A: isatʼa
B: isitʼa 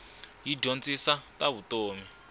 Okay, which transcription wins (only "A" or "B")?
A